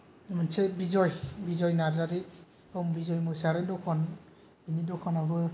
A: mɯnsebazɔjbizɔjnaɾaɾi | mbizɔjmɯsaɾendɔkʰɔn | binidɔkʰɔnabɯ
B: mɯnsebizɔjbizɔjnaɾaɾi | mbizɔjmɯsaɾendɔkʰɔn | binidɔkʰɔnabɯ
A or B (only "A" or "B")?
B